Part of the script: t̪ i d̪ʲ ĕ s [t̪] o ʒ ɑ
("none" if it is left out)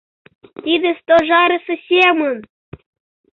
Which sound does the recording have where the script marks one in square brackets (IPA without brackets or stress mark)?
t̪